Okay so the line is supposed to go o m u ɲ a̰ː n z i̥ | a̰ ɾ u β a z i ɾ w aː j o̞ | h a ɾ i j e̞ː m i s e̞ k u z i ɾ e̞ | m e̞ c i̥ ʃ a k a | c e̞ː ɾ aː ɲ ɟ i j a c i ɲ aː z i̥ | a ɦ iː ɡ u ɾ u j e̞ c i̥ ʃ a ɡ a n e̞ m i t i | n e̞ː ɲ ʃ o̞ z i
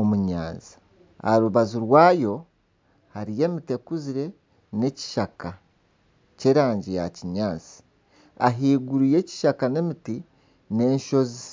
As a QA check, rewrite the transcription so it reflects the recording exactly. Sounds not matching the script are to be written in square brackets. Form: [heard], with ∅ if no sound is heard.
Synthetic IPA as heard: o m u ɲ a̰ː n z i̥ | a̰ ɾ u β a z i ɾ w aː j o̞ | h a ɾ i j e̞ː m i [t] e̞ k u z i ɾ e̞ | [n] e̞ c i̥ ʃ a k a | c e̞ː ɾ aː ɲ ɟ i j a c i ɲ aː z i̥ | a ɦ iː ɡ u ɾ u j e̞ c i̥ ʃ a [k] a n e̞ m i t i | n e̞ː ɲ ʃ o̞ z i